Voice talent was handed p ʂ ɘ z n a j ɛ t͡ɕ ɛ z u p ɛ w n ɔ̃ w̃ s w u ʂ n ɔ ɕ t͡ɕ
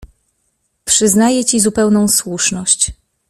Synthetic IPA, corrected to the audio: p ʂ ɘ z n a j ɛ t͡ɕ i z u p ɛ w n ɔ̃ w̃ s w u ʂ n ɔ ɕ t͡ɕ